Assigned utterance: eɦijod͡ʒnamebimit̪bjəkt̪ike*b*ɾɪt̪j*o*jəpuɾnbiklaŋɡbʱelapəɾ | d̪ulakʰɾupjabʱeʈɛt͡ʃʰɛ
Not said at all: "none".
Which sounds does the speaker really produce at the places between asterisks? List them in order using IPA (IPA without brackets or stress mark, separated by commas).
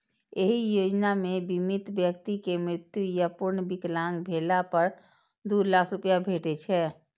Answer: m, u